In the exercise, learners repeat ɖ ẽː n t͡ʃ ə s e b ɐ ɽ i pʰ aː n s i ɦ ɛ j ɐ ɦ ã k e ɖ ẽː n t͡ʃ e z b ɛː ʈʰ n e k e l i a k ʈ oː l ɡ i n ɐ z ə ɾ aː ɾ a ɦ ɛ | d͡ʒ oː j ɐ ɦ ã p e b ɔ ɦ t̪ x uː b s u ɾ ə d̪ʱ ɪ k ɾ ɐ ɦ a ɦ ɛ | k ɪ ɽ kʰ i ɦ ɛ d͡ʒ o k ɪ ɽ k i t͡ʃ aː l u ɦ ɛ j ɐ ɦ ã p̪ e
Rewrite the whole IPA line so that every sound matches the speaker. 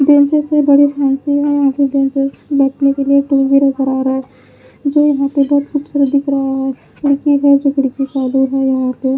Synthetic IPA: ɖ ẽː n t͡ʃ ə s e b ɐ ɽ i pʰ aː n s i ɦ ɛ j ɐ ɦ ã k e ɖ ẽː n t͡ʃ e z b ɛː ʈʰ n e k e l i e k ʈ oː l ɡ i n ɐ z ə ɾ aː ɾ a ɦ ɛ | d͡ʒ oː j ɐ ɦ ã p e b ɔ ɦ t̪ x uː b s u ɾ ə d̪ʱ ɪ k ɾ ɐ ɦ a ɦ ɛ | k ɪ ɽ k i ɦ ɛ d͡ʒ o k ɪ ɽ k i t͡ʃ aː l u ɦ ɛ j ɐ ɦ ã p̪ e